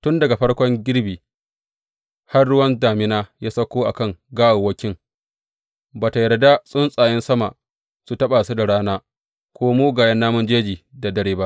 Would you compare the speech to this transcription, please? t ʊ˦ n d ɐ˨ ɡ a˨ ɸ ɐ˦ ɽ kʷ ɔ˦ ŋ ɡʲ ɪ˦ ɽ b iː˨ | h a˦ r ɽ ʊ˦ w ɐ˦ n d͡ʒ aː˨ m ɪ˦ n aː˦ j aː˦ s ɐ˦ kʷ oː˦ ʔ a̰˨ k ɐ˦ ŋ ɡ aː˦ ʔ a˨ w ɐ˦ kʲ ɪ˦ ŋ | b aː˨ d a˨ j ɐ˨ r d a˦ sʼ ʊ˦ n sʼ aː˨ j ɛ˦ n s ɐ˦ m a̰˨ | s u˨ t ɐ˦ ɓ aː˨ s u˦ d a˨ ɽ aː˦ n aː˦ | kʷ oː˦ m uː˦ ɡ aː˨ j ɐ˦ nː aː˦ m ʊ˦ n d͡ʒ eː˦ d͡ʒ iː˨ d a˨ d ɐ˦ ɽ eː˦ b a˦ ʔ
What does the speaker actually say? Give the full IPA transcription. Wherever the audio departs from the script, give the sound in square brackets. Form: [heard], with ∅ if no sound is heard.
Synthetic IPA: t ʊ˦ n d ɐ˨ ɡ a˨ ɸ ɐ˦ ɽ kʷ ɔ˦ ŋ ɡʲ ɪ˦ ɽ b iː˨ | h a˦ r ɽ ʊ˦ w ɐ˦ n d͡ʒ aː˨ m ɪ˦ n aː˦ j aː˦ s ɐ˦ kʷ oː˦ ʔ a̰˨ k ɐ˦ ŋ ɡ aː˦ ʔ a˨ w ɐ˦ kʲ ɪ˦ ŋ | b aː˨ [t] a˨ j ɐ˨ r d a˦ sʼ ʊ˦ n sʼ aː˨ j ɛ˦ n s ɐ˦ m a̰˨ | s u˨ t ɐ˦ ɓ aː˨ s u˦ d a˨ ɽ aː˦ n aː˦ | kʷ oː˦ m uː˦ ɡ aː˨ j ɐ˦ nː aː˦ m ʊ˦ n d͡ʒ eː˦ d͡ʒ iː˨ d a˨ d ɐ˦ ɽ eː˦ b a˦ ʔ